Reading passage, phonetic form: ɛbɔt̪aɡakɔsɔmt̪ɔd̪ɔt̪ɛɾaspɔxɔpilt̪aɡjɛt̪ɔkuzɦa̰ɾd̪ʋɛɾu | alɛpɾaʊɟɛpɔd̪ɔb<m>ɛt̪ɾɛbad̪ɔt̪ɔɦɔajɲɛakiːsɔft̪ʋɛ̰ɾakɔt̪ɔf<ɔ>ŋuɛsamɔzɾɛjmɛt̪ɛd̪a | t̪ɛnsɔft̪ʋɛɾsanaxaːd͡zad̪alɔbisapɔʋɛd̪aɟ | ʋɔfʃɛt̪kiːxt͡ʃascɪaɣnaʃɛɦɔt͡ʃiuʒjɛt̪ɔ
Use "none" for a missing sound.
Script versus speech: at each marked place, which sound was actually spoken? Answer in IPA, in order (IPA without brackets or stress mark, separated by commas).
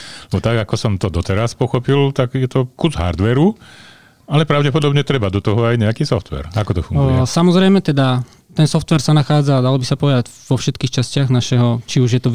ɲ, u